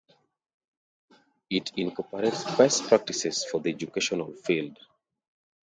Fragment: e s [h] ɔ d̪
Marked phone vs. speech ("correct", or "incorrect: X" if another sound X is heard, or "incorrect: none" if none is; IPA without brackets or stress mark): incorrect: f